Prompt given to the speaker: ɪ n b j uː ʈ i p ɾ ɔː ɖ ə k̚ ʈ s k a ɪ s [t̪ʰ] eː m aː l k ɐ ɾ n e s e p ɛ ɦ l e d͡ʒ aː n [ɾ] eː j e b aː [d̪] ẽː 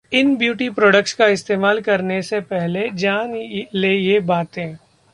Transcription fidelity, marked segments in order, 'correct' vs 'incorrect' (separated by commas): incorrect, incorrect, incorrect